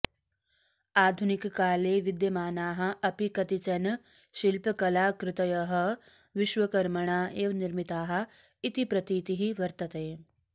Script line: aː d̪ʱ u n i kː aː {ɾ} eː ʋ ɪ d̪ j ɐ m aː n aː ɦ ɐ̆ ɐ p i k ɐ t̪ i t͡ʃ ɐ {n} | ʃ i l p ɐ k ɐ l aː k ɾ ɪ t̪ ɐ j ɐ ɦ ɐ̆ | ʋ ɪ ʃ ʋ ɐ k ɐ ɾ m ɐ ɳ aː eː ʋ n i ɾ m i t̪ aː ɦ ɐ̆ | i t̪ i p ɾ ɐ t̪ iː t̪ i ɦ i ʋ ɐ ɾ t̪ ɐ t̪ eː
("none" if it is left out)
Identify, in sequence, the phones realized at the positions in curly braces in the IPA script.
l, n

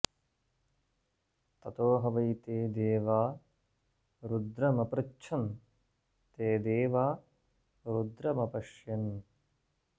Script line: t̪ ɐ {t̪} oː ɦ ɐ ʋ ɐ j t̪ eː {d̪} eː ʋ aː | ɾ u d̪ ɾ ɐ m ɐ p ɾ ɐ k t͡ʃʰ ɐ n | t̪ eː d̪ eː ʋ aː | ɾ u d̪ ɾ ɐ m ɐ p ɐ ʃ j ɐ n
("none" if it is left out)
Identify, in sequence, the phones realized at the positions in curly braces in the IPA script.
t̪, d̪

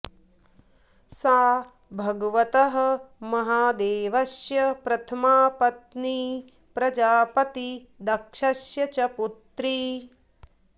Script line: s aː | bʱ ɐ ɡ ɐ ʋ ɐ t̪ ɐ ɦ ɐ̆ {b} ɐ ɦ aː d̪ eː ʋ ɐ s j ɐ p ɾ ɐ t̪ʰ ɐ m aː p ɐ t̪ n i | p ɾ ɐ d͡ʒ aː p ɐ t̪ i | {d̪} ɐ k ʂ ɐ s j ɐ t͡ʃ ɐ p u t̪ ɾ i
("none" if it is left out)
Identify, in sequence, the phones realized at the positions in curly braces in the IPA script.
m, d̪

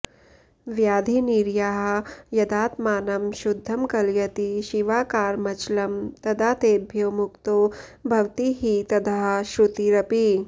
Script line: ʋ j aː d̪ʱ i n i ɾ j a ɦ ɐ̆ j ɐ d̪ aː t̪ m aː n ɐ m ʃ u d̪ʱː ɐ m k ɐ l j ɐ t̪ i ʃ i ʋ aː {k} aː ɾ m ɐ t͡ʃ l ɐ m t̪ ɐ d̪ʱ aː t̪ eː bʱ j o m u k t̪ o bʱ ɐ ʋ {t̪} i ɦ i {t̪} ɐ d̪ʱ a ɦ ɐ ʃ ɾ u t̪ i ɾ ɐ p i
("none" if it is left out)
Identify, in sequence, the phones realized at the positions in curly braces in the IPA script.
k, t̪, t̪

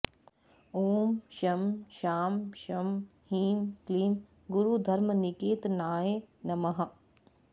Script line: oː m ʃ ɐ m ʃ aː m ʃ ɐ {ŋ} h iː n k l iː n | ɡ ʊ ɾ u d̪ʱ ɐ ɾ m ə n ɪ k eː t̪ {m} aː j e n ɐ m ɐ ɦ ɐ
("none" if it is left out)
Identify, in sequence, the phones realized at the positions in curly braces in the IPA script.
m, n

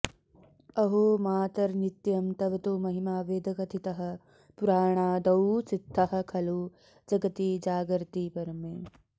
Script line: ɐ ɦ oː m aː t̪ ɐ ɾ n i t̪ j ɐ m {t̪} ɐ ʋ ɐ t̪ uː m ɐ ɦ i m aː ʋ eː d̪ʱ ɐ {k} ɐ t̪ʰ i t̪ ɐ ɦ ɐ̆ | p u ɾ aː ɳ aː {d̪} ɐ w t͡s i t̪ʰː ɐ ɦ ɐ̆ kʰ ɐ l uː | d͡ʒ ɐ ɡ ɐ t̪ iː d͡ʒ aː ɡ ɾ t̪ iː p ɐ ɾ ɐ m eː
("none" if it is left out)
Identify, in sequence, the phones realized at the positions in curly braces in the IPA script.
t̪, k, d̪

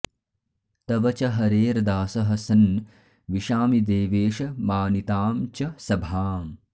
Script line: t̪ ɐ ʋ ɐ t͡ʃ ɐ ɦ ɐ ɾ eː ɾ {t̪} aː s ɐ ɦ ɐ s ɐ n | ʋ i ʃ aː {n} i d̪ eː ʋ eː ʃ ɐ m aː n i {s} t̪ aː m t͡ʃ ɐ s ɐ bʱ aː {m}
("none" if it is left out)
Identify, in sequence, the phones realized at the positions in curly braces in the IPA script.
d̪, m, none, m

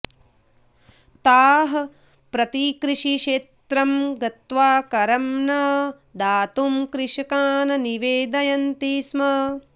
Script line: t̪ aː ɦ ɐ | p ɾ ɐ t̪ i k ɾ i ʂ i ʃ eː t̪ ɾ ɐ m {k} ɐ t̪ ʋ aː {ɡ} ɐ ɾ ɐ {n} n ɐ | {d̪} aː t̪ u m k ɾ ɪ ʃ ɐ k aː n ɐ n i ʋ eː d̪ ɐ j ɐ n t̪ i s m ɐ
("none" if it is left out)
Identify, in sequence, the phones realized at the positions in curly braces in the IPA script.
ɡ, k, m, d̪

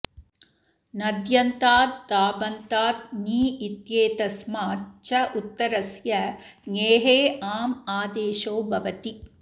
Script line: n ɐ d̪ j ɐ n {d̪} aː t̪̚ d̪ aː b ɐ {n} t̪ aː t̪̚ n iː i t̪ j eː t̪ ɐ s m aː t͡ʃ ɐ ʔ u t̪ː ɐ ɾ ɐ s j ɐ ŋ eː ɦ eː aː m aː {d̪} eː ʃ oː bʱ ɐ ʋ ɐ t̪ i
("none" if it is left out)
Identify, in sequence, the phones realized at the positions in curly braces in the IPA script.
t̪, n, d̪

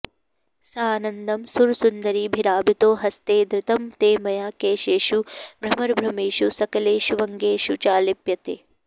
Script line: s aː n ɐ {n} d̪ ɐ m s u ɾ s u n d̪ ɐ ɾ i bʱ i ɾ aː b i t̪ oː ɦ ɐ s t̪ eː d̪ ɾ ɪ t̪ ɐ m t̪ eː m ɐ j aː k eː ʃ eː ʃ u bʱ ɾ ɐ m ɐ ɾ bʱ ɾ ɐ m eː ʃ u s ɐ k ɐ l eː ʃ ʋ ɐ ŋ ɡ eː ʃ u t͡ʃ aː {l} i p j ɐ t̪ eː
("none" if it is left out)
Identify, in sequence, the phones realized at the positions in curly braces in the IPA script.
n, l

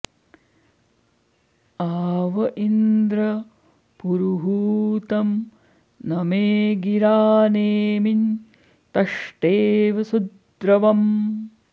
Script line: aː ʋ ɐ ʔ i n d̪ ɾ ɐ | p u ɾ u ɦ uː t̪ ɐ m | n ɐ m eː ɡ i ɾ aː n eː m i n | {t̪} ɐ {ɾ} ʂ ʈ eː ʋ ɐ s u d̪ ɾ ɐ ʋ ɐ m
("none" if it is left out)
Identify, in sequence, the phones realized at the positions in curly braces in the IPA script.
t̪, none

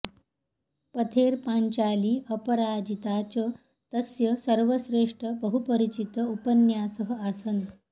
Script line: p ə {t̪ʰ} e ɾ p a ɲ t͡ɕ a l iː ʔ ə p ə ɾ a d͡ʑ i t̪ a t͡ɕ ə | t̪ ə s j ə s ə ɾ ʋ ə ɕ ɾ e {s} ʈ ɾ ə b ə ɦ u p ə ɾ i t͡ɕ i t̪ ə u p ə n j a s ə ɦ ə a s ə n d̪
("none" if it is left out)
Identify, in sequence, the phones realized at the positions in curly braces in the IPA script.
t̪ʰ, ʂ

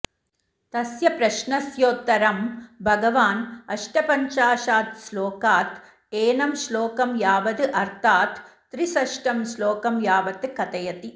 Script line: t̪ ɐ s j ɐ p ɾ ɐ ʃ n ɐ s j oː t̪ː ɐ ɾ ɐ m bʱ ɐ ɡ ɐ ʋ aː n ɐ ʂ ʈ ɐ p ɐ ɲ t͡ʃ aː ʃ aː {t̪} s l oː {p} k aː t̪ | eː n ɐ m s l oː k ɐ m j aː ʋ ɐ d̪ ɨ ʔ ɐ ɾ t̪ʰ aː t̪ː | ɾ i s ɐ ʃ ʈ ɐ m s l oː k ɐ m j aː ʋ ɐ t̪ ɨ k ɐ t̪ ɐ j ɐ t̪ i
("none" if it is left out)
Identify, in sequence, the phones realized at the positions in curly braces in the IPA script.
t̪, none

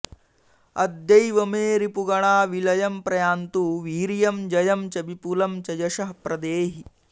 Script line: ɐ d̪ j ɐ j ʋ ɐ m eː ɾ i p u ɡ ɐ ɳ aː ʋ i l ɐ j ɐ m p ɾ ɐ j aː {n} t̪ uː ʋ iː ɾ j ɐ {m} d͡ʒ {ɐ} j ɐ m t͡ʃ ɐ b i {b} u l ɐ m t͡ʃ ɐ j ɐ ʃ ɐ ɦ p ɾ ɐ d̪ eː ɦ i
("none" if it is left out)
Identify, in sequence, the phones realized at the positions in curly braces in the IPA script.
n, m, ɐ, p

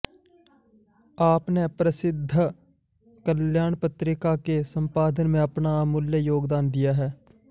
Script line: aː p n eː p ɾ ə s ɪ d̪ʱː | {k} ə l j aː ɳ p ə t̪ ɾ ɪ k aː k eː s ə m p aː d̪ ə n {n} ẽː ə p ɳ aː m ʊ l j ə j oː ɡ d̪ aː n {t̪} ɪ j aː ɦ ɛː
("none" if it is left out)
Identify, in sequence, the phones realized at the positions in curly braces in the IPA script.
k, m, d̪

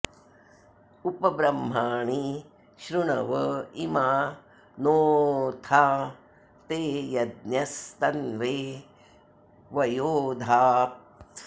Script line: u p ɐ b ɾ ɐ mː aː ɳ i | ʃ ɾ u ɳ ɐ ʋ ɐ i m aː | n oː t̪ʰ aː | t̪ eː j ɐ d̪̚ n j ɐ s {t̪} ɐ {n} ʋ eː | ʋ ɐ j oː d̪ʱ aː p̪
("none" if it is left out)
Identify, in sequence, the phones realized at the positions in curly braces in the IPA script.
t̪, n

